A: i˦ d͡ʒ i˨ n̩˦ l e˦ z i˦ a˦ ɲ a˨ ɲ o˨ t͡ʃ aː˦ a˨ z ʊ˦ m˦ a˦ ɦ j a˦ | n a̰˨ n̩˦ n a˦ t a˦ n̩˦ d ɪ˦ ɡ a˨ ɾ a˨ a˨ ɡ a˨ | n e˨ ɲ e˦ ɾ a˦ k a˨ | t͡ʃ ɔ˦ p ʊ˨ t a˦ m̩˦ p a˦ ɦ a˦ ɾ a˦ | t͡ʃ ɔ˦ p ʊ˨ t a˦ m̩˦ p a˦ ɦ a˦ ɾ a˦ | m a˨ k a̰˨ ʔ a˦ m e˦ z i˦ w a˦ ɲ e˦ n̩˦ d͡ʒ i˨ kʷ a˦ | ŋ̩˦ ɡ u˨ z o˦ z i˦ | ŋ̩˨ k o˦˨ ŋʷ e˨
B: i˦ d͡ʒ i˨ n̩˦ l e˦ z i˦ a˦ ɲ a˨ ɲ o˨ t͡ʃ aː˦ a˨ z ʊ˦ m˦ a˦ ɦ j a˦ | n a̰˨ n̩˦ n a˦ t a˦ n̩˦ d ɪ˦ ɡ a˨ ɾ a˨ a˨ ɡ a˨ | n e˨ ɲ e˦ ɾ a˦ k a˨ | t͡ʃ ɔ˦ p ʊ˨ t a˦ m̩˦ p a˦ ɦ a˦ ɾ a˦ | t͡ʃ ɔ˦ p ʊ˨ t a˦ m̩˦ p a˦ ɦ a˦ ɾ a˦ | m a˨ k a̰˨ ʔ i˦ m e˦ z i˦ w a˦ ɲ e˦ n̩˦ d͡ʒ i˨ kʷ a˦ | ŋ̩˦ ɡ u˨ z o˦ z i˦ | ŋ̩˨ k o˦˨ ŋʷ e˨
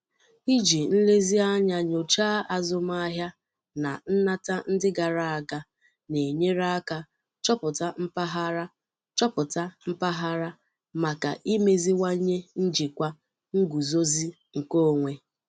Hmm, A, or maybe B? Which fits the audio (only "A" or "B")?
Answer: B